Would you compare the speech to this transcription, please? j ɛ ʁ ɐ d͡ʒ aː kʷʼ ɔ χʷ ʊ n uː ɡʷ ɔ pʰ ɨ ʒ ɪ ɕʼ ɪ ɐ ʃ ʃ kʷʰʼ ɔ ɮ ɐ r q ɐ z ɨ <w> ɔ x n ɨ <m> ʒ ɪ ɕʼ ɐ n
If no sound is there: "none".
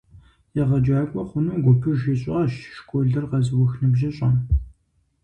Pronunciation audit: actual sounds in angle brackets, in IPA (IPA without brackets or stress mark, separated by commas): w, b